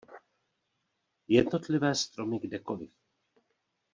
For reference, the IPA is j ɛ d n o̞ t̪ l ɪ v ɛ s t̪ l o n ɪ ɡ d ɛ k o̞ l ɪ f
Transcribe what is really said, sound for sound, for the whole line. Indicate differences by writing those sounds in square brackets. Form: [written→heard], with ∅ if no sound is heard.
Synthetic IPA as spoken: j ɛ d n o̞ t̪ l ɪ v [ɛ→ɛː] s t̪ [l→ɾ] o [n→m] ɪ ɡ d ɛ k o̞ l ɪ f